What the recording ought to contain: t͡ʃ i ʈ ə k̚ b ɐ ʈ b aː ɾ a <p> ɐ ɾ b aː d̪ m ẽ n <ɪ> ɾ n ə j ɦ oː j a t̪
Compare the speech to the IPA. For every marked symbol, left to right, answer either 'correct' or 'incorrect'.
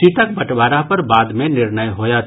correct, correct

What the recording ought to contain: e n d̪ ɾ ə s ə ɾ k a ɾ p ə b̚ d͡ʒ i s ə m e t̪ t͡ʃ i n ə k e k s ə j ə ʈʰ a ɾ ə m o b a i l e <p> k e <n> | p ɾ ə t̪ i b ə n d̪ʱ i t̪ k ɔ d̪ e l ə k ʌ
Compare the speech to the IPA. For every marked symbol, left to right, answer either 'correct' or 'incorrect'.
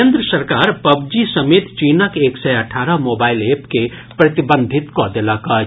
correct, incorrect

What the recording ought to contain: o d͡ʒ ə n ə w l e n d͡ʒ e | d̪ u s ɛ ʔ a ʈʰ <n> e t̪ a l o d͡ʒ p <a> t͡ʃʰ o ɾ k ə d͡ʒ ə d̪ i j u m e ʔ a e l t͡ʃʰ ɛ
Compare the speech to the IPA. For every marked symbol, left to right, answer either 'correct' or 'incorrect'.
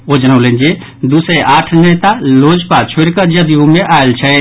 correct, correct

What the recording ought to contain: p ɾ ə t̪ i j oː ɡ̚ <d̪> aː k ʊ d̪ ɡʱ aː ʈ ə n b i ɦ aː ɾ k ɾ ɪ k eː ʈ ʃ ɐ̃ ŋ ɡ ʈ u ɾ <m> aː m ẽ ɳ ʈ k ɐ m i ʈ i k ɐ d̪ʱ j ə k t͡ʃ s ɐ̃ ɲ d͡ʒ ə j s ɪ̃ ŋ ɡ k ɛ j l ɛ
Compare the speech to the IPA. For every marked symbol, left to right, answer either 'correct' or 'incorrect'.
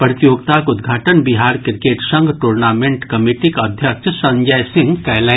incorrect, incorrect

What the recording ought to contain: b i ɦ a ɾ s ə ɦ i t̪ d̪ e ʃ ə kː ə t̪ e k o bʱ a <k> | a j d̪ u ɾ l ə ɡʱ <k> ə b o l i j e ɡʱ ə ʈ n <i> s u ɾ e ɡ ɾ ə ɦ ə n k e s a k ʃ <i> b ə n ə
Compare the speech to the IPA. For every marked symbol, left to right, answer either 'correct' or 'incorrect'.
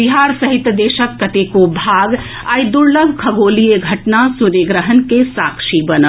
incorrect, incorrect, incorrect, correct

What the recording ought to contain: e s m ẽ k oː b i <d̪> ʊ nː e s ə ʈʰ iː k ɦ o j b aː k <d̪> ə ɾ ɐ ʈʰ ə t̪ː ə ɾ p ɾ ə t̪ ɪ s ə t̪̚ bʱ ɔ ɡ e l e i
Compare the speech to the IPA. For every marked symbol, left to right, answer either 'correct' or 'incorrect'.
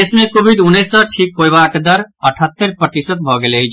correct, correct

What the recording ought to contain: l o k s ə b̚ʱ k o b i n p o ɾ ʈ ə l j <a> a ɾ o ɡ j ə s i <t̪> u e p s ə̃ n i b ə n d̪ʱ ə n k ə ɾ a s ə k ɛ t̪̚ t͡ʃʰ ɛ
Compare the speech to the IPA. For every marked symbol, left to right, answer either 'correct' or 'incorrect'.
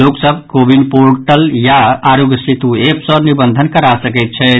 correct, correct

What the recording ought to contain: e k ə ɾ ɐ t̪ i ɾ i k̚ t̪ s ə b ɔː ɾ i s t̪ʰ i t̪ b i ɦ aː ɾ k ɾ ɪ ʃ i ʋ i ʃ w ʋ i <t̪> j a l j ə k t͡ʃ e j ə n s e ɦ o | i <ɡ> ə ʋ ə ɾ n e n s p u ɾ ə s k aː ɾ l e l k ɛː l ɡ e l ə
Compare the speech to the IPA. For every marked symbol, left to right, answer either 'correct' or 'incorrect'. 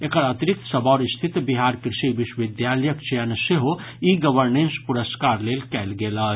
incorrect, correct

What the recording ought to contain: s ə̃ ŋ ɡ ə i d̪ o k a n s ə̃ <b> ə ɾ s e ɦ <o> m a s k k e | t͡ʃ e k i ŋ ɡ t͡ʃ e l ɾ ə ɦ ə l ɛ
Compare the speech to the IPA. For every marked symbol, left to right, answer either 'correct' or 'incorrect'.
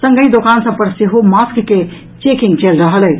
incorrect, correct

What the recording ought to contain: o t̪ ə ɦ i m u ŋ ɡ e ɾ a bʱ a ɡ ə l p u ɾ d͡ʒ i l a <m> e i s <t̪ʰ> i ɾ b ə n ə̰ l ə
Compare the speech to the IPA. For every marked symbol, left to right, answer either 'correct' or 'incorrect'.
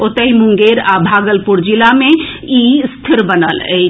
correct, correct

